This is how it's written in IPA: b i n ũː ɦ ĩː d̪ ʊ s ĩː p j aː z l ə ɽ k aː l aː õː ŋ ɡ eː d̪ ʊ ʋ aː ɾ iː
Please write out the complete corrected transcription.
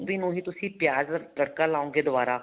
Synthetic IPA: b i n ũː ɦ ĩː t̪ ʊ s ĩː p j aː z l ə ɽ k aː l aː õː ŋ ɡ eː d̪ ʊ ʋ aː ɾ aː